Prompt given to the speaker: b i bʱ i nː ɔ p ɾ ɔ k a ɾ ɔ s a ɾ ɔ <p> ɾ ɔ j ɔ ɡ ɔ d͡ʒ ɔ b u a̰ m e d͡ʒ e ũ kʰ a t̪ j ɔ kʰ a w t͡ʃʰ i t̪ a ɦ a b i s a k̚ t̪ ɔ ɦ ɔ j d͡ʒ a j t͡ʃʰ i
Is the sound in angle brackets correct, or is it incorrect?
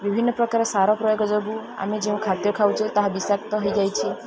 correct